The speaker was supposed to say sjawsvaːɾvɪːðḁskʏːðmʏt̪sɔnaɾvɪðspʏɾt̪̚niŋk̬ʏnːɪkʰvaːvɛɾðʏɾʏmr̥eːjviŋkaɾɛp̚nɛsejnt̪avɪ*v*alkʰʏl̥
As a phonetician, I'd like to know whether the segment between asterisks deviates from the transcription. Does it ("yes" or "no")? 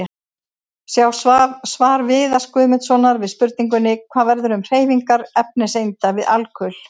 yes